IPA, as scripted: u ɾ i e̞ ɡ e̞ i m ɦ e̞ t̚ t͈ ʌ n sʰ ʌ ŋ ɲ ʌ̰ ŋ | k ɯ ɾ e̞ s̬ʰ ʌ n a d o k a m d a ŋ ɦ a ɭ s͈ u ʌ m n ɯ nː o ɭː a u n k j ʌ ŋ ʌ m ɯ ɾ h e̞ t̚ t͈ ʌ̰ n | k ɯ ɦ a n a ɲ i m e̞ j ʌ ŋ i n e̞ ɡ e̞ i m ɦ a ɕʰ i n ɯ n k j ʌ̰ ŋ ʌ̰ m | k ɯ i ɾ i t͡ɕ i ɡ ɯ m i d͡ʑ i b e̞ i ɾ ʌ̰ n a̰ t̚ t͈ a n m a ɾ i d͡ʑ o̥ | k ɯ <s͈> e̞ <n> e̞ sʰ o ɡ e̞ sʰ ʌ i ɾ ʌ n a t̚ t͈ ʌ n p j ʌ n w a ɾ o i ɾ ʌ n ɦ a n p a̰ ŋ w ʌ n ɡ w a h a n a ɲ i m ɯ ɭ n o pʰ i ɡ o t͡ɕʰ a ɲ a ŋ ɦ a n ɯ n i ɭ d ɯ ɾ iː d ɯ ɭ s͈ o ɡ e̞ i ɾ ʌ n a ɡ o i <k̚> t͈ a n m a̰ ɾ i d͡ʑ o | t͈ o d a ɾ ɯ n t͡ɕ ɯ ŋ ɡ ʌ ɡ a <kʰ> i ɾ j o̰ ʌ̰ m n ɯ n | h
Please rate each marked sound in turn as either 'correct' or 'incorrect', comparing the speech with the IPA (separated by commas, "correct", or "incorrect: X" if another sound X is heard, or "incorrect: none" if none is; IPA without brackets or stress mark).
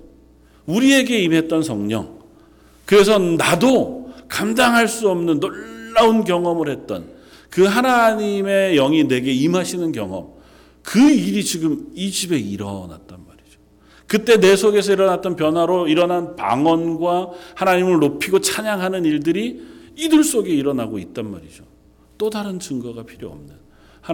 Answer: incorrect: t͈, correct, incorrect: t̚, incorrect: pʰ